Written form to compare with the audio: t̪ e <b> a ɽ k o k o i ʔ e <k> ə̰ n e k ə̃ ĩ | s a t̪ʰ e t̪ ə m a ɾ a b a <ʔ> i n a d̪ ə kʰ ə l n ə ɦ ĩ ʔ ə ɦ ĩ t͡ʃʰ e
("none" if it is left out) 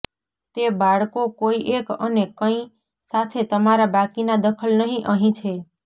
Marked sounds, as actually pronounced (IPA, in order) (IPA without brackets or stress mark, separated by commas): b, k, k